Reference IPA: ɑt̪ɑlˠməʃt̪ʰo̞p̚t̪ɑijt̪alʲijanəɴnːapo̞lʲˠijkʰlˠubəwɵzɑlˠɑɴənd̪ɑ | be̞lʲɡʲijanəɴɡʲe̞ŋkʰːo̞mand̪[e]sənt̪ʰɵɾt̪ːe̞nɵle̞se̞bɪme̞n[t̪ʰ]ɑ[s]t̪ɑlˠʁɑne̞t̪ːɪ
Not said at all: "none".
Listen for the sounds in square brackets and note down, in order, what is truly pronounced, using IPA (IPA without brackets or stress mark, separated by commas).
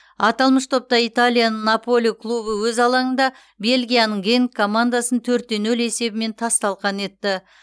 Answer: a, t̪ʰ, s